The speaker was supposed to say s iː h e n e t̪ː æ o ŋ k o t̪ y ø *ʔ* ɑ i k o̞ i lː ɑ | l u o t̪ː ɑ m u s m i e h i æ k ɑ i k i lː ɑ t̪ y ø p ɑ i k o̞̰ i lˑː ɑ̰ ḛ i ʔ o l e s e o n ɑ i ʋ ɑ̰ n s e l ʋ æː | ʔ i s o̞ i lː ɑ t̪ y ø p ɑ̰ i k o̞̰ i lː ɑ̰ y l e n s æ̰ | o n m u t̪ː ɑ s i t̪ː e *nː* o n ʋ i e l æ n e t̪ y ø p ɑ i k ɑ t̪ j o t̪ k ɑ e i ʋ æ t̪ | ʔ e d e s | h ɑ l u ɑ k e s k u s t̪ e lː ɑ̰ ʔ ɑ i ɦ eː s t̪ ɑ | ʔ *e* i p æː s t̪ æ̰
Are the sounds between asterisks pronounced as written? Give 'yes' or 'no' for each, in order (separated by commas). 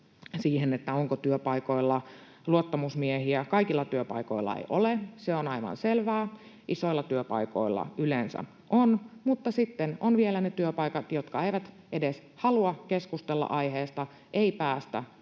no, no, yes